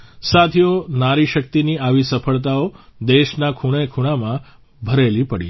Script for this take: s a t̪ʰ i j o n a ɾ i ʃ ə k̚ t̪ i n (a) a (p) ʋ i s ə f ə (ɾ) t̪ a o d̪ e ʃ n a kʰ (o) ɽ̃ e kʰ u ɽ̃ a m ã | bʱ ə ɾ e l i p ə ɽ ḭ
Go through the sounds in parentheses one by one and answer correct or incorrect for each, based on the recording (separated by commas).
incorrect, incorrect, incorrect, incorrect